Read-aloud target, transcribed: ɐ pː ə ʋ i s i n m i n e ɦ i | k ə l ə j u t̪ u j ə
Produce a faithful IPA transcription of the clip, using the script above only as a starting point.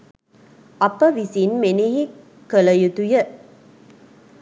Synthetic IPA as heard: ɐ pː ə ʋ i s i n m e n e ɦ i | k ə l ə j u t̪ u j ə